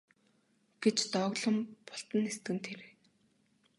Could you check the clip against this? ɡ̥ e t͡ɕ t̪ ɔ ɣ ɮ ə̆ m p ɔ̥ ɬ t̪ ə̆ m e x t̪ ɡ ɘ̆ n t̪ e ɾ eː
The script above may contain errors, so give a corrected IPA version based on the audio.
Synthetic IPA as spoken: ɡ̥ e t͡ɕ t̪ ɔ ɣ ɮ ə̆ m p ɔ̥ ɬ t̪ ə̆ n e s t̪ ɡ ɘ̆ n t̪ʰ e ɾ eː